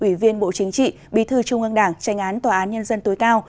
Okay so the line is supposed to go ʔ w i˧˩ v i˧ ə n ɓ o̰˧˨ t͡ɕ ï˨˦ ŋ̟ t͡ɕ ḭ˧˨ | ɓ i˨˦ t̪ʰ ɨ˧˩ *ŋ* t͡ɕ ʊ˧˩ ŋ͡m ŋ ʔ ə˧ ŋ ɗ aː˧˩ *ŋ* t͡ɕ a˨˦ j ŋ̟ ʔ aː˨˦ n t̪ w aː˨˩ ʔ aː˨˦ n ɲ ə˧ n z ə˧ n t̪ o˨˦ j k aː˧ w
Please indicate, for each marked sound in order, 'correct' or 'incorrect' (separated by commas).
incorrect, correct